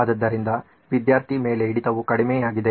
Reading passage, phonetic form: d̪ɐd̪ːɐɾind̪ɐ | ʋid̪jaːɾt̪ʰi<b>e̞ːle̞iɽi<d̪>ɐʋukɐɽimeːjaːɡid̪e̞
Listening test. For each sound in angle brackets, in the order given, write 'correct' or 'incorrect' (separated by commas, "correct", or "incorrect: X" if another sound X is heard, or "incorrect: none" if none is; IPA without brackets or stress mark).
incorrect: m, incorrect: t̪